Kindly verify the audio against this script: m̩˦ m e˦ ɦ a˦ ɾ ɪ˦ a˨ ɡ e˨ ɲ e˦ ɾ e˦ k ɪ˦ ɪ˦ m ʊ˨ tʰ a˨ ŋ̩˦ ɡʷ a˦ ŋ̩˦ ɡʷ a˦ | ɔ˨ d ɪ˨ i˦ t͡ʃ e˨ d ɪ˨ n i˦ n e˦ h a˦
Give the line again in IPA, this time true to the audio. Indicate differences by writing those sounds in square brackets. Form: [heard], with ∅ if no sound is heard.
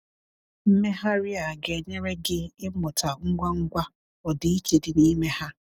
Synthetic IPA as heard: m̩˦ m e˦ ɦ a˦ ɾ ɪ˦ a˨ ɡ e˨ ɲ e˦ ɾ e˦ [ɡ] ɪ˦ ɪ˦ m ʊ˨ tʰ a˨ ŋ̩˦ ɡʷ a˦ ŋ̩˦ ɡʷ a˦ | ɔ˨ d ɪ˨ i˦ t͡ʃ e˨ d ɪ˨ n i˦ [m] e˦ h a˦